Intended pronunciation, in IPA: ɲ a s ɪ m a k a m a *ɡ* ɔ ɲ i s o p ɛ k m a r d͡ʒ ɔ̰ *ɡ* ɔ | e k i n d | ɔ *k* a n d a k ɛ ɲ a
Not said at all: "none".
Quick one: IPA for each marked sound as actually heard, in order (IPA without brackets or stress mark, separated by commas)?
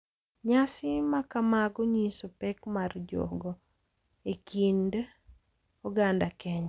ɡ, ɡ, ɡ